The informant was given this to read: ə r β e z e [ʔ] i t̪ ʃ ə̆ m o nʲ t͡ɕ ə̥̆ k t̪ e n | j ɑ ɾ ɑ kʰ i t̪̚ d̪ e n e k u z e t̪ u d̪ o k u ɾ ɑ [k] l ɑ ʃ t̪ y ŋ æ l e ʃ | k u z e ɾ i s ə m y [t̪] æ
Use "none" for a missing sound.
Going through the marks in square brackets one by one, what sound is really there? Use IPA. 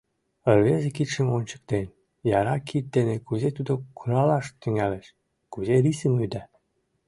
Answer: k, none, d̪

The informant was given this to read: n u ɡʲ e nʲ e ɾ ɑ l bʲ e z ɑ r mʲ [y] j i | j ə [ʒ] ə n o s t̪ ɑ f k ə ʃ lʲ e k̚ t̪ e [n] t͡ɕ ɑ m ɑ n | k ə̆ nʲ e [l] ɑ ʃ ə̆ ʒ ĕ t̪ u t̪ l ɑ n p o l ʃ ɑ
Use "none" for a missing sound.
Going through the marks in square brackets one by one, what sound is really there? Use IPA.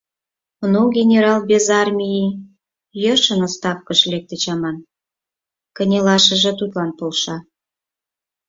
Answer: i, ʃ, none, l

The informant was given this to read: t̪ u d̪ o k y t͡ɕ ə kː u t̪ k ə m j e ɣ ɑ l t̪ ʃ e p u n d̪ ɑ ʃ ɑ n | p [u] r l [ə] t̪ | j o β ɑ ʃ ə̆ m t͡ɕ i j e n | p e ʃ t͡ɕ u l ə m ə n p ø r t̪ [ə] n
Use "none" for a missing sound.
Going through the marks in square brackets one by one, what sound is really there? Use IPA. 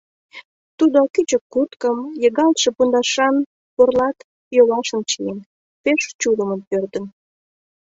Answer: o, ɑ, ə

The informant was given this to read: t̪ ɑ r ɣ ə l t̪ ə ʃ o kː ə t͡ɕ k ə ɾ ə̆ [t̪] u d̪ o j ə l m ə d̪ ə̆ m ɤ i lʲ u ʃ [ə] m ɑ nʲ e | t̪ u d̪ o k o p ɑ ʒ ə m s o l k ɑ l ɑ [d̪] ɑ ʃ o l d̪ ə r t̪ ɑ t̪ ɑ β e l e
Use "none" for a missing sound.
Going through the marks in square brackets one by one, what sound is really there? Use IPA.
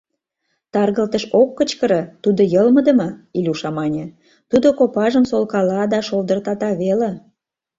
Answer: t̪, ɑ, d̪

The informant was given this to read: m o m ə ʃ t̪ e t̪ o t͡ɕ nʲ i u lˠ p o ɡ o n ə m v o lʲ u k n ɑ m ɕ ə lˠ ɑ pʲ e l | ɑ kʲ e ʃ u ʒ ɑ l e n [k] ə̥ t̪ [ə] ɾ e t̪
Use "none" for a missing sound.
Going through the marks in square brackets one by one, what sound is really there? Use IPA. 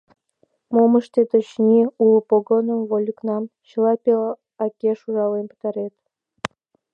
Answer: p, ɑ

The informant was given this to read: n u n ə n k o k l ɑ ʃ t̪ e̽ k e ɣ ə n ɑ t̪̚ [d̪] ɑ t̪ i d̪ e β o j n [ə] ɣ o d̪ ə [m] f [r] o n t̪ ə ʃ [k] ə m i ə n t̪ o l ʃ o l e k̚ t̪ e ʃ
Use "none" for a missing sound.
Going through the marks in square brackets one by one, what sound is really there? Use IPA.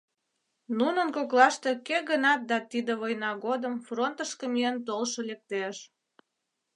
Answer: d̪, ɑ, m, r, k

